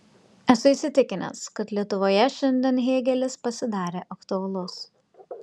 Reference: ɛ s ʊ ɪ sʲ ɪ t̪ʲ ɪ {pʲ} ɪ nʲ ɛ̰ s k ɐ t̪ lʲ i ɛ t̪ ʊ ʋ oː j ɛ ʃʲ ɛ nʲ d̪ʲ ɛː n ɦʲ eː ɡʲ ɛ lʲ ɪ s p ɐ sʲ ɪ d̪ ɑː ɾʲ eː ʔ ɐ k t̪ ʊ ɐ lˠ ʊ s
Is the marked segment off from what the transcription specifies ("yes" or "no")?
yes